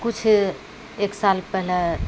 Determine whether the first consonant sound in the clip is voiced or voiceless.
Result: voiceless